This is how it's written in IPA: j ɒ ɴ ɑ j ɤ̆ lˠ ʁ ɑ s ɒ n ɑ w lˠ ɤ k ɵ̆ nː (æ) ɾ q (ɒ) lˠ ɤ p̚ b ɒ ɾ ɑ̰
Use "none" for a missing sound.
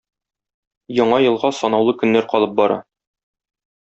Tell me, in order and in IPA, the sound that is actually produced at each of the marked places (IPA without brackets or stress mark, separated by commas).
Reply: æ, ɒ